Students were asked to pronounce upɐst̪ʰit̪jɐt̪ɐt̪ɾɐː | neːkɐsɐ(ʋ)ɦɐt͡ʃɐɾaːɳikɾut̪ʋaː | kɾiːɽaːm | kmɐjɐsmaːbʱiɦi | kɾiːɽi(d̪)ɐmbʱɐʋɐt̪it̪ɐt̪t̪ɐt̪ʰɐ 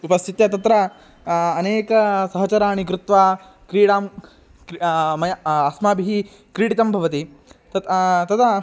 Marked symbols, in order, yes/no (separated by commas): no, no